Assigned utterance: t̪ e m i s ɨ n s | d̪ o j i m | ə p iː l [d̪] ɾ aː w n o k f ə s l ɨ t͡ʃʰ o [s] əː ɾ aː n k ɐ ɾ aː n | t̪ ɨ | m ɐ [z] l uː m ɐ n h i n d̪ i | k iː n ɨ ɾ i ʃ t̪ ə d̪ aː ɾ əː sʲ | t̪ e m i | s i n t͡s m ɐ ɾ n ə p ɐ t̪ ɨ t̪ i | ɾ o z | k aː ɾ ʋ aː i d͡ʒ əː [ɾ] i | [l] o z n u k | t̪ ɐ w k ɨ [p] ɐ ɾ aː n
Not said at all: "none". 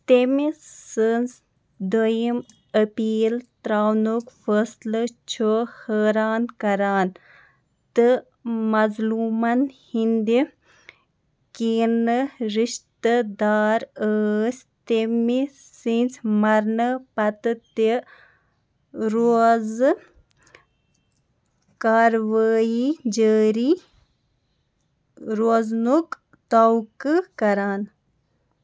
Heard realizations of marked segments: t̪, h, z, ɾ, ɾ, k

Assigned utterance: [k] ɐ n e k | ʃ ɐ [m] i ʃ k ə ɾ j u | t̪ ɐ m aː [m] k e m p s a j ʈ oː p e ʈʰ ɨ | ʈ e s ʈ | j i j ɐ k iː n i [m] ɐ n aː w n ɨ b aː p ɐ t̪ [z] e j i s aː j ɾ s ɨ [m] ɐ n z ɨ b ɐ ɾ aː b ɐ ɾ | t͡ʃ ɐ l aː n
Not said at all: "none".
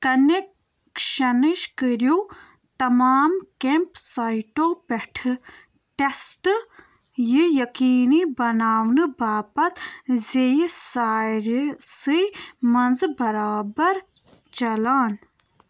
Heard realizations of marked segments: k, n, m, b, z, m

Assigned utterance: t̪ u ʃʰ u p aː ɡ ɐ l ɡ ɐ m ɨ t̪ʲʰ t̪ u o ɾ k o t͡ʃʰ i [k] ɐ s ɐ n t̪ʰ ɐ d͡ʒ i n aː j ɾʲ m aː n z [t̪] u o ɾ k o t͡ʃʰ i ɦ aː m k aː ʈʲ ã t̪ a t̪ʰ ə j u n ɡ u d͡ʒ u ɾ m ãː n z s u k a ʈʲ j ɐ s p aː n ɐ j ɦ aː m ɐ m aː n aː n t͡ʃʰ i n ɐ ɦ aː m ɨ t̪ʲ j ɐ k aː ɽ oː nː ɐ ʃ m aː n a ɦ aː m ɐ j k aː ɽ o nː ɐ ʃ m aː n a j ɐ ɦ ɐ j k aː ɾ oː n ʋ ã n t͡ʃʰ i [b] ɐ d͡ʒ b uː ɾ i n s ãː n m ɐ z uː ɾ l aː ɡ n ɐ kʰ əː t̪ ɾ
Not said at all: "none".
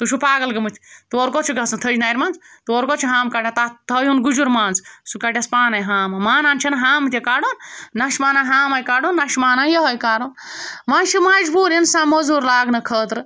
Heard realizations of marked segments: ɡ, t̪, m

